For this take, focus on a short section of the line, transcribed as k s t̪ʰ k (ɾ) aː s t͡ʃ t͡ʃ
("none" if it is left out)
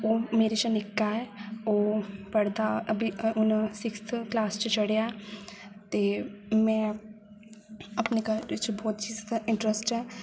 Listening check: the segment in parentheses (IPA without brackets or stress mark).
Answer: l